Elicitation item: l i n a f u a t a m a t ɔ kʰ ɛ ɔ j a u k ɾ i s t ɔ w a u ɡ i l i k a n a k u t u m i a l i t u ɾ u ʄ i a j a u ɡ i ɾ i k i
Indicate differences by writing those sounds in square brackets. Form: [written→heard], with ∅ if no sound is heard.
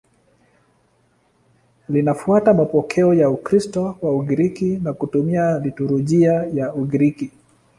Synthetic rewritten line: l i n a f u a t a m a [t→p] ɔ kʰ ɛ ɔ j a u k ɾ i s t ɔ w a u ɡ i [l→ɾ] i k [a→i] n a k u t u m i a l i t u ɾ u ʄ i a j a u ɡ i ɾ i k i